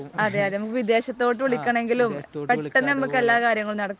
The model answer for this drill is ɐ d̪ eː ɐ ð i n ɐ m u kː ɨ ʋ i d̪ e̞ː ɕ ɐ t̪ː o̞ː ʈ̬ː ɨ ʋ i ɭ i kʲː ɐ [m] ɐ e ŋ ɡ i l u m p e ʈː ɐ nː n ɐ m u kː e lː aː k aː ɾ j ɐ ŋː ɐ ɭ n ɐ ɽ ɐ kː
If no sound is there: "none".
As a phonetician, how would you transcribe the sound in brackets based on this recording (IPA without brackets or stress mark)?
ɳ